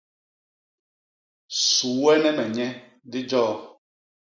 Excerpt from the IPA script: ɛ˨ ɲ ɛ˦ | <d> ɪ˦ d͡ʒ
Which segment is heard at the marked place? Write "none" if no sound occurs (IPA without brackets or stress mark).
d